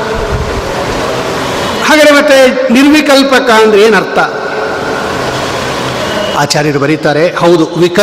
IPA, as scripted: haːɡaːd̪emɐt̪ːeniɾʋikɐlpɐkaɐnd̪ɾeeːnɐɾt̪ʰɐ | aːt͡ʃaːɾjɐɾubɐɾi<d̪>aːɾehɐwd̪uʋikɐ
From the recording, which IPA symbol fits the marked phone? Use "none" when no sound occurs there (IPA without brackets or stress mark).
t̪